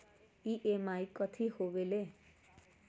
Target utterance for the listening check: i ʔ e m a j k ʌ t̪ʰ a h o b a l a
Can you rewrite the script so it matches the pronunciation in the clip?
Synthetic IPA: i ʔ e m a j k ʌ t̪ʰ i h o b e l e